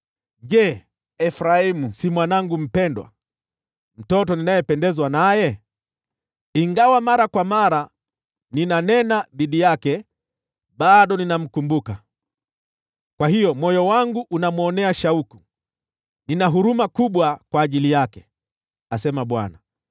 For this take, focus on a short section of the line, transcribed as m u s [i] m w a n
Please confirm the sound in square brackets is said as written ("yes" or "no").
yes